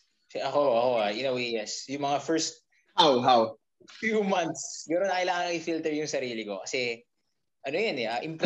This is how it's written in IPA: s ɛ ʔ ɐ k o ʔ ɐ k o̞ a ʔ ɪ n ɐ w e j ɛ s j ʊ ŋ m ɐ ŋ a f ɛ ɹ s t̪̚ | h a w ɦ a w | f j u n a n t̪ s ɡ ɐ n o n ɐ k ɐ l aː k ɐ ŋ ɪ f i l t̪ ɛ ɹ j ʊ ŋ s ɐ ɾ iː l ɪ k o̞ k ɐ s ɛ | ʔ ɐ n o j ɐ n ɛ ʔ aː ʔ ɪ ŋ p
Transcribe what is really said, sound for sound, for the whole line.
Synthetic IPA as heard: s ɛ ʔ ɐ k o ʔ ɐ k o̞ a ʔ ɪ n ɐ w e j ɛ s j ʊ ŋ m ɐ ŋ a f ɛ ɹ s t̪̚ | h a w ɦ a w | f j u m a n t̪ s ɡ ɐ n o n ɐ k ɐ l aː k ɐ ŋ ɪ f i l t̪ ɛ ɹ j ʊ ŋ s ɐ ɾ iː l ɪ k o̞ k ɐ s ɛ | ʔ ɐ n o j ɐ n ɛ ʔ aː ʔ ɪ m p